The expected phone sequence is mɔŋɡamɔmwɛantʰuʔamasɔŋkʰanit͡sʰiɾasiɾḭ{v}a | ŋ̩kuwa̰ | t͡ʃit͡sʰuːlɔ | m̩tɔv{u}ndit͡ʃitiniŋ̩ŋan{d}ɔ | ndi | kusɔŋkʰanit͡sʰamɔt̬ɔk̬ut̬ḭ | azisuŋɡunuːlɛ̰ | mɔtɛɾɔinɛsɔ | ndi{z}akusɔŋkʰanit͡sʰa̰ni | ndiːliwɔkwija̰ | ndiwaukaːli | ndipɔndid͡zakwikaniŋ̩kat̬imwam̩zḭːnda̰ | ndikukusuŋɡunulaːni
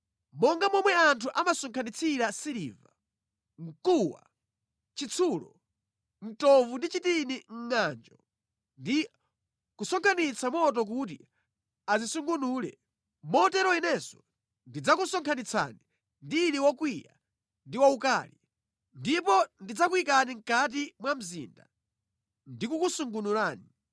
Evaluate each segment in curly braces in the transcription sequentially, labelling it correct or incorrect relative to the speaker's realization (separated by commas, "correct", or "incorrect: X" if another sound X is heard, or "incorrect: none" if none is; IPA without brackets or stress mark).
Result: correct, correct, incorrect: d͡ʒ, incorrect: d͡z